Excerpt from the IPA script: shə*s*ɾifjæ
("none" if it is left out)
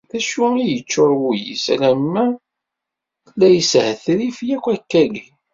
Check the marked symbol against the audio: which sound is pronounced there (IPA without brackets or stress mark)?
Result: θ